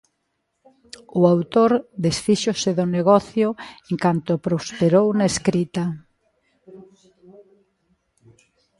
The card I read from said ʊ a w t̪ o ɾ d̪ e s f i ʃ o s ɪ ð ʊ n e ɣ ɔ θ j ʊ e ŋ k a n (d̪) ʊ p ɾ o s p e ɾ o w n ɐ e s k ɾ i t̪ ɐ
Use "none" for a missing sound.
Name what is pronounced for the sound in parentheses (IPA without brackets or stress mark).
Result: t̪